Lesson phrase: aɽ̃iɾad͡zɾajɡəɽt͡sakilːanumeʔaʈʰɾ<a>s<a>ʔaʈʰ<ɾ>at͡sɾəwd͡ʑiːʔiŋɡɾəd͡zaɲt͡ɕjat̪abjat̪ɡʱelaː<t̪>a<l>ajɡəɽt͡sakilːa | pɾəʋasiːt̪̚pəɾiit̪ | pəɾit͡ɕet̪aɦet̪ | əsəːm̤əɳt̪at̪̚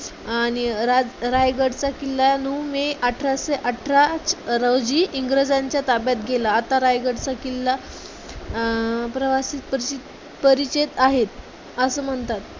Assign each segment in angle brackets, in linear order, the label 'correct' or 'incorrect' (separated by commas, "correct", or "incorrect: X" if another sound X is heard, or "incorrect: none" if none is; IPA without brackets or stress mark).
correct, incorrect: e, correct, correct, incorrect: ɾ